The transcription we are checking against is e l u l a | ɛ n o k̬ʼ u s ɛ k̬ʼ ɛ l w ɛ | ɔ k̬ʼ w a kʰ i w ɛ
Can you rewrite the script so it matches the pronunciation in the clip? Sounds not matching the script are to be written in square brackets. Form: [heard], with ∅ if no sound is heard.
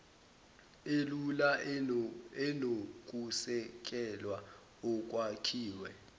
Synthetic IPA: e l u l a | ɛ n o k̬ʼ u s ɛ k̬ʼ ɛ l w [a] | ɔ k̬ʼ w a kʰ [iː] w ɛ